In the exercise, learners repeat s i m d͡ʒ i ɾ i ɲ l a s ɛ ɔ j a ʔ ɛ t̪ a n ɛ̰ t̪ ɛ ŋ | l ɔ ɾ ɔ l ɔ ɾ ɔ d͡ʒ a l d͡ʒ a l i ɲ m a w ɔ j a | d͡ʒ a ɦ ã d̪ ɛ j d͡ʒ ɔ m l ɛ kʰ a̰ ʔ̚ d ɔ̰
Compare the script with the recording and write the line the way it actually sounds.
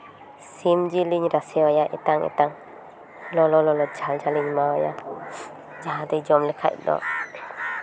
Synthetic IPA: s i m d͡ʒ i l i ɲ ɾ a s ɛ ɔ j a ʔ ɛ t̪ a ŋ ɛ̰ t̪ a ŋ | l ɔ l ɔ l ɔ l ɔ d͡ʒ a l d͡ʒ a l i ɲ m a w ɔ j a | d͡ʒ a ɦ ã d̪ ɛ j d͡ʒ ɔ m l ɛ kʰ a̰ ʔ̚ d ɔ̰